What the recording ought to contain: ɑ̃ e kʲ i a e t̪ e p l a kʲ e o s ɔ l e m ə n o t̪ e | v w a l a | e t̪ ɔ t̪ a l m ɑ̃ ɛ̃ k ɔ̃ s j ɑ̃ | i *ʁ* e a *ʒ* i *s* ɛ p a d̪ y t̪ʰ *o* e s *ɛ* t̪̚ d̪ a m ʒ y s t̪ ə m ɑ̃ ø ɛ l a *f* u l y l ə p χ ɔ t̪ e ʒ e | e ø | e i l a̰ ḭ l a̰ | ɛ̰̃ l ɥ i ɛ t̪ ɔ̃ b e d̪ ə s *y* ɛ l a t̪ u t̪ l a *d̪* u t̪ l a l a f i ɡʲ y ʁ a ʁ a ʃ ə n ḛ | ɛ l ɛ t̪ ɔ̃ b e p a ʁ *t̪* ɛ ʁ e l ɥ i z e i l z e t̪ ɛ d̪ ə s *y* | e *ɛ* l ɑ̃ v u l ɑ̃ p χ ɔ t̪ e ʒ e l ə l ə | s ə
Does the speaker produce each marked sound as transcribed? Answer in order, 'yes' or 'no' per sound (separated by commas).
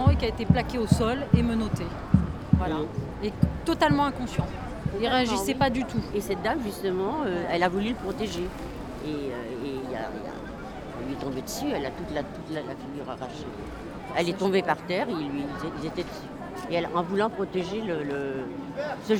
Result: yes, yes, yes, no, yes, no, yes, no, yes, yes, yes